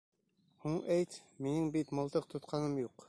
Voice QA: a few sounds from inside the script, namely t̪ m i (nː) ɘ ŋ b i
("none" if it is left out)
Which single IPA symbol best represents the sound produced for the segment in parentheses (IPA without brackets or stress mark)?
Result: n